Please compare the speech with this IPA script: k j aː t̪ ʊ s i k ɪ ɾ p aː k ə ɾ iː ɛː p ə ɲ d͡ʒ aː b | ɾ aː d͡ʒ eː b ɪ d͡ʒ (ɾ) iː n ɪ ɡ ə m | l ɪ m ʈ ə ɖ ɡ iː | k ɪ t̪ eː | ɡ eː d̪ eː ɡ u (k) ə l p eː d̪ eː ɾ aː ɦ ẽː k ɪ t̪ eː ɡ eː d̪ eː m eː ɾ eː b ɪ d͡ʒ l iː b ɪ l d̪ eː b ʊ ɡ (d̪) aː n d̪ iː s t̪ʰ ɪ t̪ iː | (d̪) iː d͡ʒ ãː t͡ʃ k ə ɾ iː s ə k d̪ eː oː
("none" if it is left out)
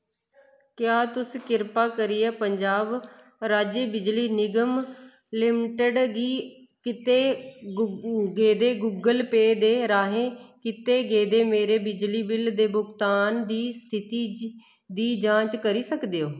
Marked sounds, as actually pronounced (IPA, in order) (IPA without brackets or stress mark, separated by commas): l, ɡ, t̪, d̪